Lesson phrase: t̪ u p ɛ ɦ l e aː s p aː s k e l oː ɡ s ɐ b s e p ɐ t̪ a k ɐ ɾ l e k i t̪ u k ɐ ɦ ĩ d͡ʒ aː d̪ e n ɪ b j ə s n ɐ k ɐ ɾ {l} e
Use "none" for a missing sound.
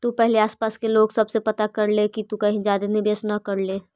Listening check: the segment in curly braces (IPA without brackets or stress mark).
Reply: l